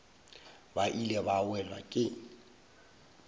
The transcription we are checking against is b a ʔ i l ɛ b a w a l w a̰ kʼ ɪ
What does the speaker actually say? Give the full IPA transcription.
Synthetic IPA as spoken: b a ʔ i l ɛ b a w ɛ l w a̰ kʼ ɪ